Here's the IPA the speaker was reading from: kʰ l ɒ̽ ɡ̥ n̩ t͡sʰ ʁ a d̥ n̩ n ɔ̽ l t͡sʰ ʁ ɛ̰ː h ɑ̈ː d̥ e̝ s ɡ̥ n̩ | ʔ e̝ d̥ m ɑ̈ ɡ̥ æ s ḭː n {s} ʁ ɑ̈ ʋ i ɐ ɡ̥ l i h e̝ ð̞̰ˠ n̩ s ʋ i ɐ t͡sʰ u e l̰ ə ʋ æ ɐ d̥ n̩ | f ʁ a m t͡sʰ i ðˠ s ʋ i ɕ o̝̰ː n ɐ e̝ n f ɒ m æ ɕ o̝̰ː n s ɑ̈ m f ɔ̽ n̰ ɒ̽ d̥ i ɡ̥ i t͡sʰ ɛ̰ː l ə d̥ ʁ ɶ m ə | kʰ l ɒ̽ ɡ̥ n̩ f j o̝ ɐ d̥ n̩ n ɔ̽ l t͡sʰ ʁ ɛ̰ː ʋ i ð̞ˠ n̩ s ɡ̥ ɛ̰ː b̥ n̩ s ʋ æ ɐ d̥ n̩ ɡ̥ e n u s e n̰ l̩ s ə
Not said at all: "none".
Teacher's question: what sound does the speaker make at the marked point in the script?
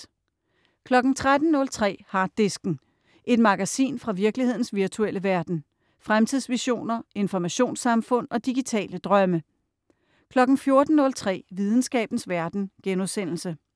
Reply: f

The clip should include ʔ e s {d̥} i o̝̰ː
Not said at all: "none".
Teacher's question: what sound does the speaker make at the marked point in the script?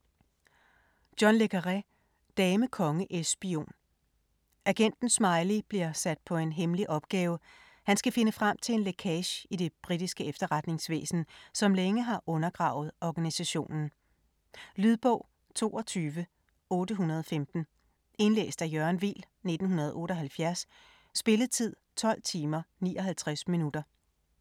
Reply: b̥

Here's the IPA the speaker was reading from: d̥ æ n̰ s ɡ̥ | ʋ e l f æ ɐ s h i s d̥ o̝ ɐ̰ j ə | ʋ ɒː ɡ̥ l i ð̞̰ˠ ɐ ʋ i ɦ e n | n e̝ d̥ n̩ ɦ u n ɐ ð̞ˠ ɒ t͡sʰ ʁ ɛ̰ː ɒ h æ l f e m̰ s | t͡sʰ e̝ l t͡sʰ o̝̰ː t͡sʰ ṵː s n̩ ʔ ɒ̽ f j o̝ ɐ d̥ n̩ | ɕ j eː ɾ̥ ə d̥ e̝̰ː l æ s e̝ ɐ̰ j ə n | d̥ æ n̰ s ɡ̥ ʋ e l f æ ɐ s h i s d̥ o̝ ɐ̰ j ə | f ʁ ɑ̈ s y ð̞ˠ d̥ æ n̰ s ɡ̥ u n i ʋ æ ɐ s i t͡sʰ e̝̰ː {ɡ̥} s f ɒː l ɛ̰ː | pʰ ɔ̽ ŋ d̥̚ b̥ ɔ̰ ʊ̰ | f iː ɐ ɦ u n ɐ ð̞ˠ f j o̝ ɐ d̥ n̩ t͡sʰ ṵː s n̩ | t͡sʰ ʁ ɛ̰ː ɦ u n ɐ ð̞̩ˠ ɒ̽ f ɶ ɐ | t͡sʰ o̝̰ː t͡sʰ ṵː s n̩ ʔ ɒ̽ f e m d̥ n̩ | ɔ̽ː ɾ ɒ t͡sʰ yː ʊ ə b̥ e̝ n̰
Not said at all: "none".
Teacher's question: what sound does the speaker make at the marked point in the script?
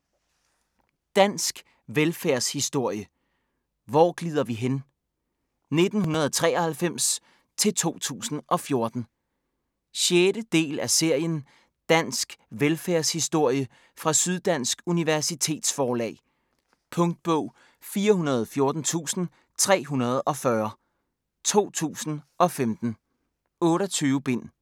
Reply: d̥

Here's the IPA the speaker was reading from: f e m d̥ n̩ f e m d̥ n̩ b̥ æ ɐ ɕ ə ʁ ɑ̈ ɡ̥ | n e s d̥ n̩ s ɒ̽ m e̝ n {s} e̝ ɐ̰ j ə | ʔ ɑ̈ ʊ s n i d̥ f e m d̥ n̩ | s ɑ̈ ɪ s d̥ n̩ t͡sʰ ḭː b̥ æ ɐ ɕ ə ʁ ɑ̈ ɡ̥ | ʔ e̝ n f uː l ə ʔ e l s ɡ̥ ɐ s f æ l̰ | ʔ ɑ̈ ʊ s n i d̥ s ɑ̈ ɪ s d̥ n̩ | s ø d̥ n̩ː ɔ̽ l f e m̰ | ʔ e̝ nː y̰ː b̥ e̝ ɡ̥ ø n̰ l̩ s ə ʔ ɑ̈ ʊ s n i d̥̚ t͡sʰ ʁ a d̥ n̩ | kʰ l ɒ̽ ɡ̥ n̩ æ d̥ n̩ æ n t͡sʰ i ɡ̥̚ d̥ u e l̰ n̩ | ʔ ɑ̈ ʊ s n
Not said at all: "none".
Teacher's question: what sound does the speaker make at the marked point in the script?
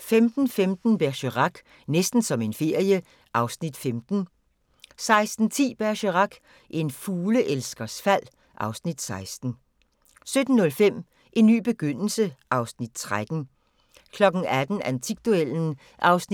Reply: f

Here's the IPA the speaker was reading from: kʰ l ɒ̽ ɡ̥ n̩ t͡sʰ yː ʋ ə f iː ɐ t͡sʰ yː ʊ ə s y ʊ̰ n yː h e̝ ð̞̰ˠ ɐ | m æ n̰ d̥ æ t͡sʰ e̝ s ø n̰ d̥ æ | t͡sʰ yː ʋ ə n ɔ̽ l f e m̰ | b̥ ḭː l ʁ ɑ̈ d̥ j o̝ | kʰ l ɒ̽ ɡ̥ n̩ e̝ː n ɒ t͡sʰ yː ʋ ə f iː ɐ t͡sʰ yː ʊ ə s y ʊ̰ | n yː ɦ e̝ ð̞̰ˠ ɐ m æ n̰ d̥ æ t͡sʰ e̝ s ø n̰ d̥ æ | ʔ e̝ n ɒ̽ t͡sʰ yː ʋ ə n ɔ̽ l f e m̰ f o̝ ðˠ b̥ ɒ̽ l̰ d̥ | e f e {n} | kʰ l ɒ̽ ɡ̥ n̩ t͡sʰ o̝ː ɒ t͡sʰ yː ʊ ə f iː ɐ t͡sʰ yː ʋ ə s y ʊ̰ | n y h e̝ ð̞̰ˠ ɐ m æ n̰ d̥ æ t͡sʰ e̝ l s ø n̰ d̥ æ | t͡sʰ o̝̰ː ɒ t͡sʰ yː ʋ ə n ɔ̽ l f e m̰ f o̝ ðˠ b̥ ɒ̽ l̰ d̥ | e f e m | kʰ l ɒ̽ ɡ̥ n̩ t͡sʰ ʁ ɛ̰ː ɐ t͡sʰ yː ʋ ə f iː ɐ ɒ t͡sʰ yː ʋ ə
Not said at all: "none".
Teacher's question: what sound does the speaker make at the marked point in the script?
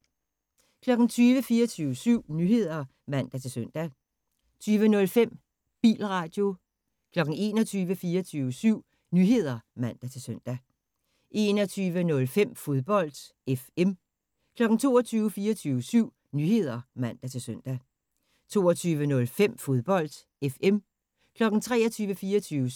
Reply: m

